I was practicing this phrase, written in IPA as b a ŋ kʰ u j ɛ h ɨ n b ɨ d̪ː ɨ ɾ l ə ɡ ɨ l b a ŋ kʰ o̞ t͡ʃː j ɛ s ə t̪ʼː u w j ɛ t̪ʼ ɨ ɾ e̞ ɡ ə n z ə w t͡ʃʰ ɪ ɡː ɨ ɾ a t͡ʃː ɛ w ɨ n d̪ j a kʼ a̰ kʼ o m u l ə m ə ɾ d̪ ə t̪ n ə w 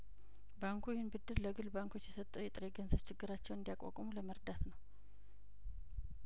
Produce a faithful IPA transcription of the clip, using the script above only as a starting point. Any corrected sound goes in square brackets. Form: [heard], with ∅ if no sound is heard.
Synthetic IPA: b a ŋ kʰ u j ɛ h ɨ n b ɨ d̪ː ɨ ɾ l ə ɡ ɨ l b a ŋ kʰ o̞ t͡ʃː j ɛ s ə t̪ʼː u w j ɛ t̪ʼ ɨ ɾ e̞ ɡ ə n z ə [β] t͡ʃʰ ɪ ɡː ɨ ɾ a t͡ʃː ɛ w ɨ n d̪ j a kʼ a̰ kʼ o m u l ə m ə ɾ d̪ [a] t̪ n ə w